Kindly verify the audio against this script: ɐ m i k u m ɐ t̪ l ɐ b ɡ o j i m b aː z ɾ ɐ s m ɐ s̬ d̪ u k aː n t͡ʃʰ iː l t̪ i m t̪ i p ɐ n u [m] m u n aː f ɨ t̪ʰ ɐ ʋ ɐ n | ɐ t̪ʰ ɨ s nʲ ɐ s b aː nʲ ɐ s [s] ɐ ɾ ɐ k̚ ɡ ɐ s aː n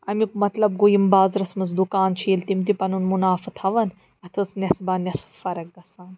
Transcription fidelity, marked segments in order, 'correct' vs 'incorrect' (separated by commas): incorrect, incorrect